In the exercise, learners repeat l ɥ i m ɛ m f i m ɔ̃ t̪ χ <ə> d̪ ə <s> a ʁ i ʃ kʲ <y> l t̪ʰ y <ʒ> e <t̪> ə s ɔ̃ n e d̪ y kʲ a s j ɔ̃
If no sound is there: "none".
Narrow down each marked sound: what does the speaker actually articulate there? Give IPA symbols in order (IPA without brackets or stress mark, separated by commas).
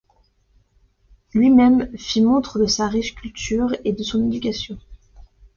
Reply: ə, s, y, ʁ, d̪